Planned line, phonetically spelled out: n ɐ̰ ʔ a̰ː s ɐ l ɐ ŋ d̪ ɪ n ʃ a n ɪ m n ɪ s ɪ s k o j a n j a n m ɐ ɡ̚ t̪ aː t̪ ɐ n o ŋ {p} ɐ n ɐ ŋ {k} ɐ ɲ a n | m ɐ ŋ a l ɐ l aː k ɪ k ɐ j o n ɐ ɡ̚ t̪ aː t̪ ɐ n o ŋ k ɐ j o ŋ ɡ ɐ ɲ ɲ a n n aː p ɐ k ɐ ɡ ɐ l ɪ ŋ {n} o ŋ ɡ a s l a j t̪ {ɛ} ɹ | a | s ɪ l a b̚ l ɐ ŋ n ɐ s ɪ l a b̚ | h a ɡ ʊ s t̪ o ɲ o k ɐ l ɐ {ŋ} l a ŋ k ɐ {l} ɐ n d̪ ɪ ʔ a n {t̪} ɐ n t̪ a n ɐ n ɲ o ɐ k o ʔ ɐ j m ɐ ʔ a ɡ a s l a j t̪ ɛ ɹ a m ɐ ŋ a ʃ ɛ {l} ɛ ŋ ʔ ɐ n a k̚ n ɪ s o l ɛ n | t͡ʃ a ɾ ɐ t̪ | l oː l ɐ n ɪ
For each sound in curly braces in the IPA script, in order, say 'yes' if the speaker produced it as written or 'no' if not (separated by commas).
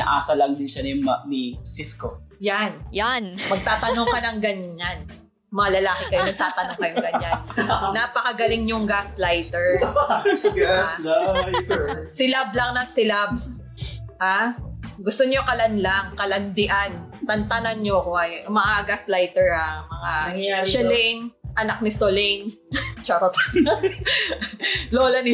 no, no, no, yes, no, yes, yes, yes